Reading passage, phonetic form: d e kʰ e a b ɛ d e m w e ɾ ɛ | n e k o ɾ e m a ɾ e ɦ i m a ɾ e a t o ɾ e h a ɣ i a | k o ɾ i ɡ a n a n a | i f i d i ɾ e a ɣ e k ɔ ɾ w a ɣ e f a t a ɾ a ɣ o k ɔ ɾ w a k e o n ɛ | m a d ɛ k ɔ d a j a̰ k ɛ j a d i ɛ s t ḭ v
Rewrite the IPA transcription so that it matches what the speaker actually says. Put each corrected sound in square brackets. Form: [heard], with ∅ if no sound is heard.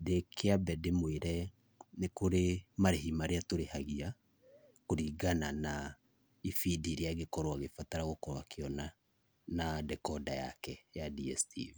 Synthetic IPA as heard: d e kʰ e a b ɛ d e m w e ɾ ɛ | n e k o ɾ e m a ɾ e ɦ i m a ɾ e a t o ɾ e h a ɣ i a | k o ɾ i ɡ a n a n a | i f i d i ɾ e a ɣ e k ɔ ɾ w a ɣ e f a t a ɾ a ɣ o k ɔ ɾ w a k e [ɔ] n [a] | [n] a d ɛ k ɔ d a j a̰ k ɛ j a d i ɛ s t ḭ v